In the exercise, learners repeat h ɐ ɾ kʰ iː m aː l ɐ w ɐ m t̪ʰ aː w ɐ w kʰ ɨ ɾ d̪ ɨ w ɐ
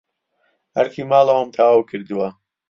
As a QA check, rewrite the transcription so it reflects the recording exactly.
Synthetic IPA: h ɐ ɾ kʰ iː m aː l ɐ w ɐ m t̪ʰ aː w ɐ w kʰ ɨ ɾ d̪ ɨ w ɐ